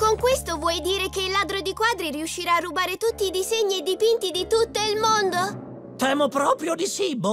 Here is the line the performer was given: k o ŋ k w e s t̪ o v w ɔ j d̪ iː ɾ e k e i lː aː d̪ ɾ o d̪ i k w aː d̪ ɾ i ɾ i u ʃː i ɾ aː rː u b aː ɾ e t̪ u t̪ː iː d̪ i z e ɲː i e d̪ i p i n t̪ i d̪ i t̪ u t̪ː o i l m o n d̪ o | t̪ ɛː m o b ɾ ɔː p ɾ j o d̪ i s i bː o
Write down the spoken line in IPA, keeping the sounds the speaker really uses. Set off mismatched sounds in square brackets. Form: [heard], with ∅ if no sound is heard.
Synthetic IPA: k o ŋ k w e s t̪ o v w ɔ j d̪ iː ɾ e k e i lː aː d̪ ɾ o d̪ i k w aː d̪ ɾ i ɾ i u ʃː i ɾ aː rː u b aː ɾ e t̪ u t̪ː iː d̪ i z e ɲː i e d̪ i p i n t̪ i d̪ i t̪ u t̪ː o i l m o n d̪ o | t̪ ɛː m o [p] ɾ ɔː p ɾ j o d̪ i s i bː o